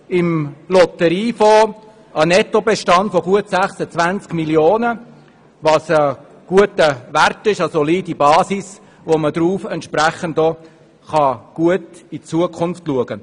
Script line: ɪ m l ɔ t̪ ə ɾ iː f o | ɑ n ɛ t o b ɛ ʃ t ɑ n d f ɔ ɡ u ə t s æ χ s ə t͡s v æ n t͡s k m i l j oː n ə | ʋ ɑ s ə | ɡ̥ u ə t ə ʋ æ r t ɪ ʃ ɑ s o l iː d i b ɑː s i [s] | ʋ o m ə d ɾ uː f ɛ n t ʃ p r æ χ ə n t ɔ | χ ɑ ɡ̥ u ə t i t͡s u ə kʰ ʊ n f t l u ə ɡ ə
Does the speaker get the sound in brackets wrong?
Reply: no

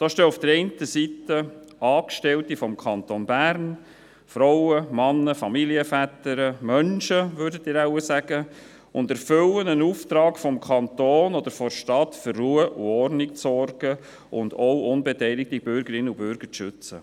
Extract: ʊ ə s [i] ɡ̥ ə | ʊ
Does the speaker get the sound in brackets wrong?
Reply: yes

